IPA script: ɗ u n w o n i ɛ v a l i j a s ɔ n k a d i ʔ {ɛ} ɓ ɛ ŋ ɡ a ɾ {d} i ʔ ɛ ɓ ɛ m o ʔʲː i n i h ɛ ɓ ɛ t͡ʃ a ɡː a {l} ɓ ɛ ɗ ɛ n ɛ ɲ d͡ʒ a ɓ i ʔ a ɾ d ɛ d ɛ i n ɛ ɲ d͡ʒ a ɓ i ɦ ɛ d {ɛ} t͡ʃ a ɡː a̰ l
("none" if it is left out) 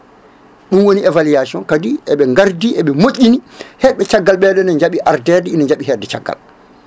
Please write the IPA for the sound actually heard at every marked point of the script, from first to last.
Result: ɛ, d, l, ɛ

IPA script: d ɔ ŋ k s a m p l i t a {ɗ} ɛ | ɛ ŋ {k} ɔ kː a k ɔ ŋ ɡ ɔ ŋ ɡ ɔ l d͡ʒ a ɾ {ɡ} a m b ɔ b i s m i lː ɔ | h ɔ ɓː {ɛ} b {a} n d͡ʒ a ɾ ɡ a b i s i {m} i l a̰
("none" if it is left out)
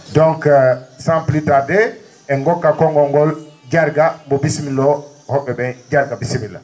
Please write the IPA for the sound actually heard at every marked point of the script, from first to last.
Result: d, ɡ, ɡ, ɛ, ɛ, m

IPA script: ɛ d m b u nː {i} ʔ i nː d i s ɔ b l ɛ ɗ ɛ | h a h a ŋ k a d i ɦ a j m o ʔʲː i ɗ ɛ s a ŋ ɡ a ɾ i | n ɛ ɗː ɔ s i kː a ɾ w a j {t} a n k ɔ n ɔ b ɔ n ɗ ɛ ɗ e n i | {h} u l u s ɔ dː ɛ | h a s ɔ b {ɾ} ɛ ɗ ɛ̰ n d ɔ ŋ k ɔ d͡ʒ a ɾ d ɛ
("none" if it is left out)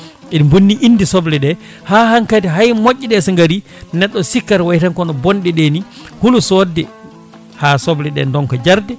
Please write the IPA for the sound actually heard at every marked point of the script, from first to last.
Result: i, t, h, l

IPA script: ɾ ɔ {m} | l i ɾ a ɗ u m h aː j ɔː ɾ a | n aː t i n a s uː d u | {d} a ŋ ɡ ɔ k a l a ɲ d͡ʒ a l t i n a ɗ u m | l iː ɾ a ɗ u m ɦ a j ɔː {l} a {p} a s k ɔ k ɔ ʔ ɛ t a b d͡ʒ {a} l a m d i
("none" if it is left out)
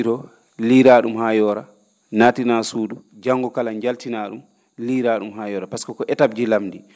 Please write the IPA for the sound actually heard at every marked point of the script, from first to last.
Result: none, d͡ʒ, ɾ, p, i

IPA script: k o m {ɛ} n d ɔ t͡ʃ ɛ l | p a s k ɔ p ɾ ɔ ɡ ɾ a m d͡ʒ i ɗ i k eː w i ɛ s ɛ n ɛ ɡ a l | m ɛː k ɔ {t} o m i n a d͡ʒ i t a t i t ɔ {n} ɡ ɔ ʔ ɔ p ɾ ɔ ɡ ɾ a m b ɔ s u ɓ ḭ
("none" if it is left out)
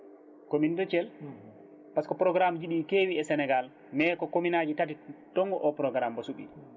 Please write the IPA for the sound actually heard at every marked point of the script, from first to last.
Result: i, k, ŋ

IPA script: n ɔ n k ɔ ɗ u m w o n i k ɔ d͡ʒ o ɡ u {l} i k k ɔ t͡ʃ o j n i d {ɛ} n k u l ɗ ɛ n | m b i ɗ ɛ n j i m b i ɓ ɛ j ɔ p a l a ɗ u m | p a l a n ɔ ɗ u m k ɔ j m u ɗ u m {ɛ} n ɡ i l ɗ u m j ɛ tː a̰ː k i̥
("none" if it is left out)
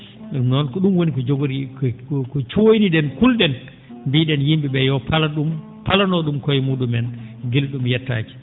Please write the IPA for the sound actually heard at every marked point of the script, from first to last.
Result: ɾ, ɛ, ɛ

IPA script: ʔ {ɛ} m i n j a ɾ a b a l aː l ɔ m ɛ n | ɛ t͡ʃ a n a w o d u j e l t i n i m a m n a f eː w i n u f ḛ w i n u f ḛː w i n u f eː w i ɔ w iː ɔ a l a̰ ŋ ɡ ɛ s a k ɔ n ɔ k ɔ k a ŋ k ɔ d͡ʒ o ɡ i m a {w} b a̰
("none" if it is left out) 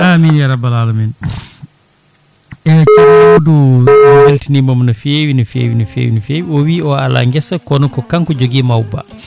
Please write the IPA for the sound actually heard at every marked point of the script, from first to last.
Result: a, w

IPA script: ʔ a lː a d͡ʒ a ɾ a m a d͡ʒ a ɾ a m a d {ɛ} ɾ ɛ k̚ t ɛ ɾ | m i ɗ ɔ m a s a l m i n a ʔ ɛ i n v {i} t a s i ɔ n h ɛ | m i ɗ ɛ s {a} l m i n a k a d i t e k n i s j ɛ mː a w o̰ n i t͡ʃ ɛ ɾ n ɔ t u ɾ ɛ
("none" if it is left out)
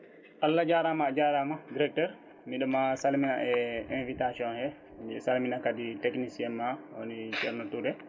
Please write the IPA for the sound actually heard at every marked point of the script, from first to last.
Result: i, i, a

